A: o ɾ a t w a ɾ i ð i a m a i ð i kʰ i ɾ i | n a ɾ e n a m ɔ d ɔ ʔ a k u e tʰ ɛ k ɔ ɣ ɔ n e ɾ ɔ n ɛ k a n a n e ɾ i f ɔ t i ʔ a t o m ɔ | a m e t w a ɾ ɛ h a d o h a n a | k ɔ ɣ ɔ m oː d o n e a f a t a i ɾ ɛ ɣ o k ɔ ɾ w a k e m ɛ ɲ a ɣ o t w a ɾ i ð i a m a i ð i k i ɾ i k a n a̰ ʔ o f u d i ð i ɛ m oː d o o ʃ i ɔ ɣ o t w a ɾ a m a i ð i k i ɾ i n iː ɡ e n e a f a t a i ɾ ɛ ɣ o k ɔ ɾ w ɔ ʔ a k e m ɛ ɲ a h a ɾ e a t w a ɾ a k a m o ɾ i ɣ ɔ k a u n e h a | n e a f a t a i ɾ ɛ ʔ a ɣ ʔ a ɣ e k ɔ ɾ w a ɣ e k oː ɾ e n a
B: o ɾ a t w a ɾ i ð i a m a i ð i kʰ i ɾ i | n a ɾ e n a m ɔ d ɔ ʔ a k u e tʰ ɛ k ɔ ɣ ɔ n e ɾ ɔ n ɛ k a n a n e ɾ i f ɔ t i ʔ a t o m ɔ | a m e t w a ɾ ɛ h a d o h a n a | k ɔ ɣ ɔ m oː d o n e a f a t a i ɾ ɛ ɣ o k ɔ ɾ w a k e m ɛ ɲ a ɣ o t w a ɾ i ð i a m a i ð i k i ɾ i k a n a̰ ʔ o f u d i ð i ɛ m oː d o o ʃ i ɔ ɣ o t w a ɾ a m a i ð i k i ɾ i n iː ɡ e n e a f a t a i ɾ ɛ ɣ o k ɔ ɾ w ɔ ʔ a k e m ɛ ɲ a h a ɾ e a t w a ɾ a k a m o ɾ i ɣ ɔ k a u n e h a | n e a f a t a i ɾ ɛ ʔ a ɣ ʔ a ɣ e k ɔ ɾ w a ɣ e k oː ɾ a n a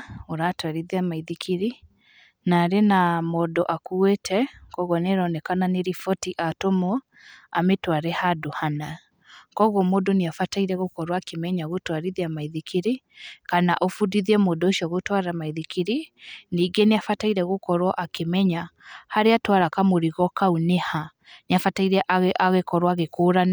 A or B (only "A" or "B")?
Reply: B